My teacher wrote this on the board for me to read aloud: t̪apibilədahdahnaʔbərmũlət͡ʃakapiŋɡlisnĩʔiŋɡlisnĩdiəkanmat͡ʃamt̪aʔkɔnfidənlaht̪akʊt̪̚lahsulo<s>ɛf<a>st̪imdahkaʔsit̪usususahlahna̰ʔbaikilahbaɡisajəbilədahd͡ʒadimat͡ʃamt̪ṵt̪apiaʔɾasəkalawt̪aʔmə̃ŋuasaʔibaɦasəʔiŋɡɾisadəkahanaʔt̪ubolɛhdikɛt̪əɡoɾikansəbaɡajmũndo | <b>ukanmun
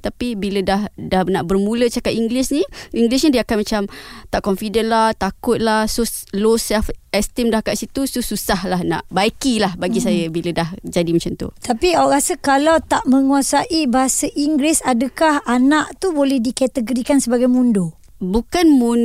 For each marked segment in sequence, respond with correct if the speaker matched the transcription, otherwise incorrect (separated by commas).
correct, incorrect, correct